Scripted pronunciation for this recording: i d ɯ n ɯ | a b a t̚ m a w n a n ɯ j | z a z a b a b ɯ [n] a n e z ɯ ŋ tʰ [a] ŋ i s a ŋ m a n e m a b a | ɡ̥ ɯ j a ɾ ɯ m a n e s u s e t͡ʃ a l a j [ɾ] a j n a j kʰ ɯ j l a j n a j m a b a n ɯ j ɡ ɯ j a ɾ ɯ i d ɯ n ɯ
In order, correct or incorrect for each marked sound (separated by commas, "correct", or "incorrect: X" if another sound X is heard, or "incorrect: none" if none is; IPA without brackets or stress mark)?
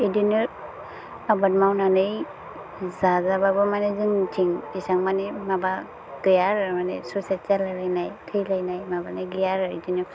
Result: incorrect: m, incorrect: i, incorrect: l